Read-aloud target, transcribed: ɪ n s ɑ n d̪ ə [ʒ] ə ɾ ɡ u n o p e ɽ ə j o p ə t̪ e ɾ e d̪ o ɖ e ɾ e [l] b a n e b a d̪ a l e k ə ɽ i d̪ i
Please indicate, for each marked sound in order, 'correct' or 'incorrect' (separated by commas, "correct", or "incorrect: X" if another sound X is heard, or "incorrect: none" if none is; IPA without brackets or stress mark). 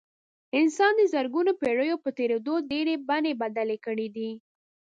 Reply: incorrect: z, incorrect: none